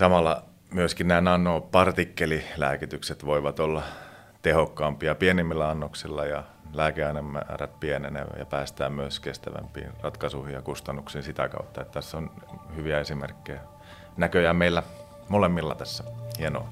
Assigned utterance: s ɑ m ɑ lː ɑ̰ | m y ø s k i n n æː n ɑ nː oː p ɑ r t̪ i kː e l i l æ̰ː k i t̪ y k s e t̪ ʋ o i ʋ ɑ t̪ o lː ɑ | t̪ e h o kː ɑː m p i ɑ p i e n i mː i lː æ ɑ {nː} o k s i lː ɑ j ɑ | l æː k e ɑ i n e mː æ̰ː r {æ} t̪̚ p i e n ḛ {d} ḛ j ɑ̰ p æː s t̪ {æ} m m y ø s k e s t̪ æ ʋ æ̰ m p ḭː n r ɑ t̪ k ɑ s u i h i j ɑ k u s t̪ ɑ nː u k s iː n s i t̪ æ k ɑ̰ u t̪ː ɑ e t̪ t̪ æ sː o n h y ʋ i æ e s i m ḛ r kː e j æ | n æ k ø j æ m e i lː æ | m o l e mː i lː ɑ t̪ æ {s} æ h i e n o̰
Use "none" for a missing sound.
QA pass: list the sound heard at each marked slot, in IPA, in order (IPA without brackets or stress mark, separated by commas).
nː, æ, n, æː, sː